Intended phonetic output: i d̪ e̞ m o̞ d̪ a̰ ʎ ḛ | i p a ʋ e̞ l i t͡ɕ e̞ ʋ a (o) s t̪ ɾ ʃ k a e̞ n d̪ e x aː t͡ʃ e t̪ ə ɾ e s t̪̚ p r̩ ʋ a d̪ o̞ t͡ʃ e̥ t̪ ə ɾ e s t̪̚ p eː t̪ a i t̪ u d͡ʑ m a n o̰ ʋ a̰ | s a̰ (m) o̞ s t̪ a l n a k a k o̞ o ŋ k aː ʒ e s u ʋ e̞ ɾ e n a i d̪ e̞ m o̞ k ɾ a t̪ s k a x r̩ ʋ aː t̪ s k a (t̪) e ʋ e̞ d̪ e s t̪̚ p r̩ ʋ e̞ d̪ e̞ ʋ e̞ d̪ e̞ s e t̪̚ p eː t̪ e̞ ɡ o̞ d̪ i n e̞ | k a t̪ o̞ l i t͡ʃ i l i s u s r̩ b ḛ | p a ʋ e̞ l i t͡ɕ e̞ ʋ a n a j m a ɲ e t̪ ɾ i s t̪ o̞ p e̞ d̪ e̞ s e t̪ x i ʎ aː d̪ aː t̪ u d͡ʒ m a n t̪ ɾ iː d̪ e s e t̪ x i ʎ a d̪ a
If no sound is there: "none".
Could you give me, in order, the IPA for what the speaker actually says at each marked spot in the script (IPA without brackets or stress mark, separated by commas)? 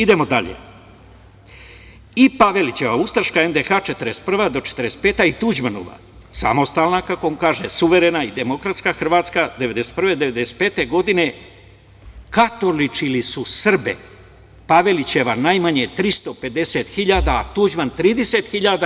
u, m, d̪